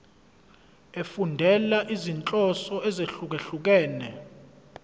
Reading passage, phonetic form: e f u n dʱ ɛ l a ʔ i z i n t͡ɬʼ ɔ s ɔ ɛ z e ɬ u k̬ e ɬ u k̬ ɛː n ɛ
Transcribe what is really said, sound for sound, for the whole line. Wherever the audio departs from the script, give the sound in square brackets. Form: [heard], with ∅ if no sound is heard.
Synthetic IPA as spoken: e f u n dʱ ɛ l a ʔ i z i n t͡ɬʼ ɔ s ɔ ɛ z e ɬ u k̬ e ɬ u k̬ ɛː n ɛ